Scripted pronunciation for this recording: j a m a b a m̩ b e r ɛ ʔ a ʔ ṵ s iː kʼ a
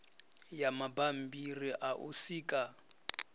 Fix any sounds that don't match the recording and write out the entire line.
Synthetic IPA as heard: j a m a b a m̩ b i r i ʔ a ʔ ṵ s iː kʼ a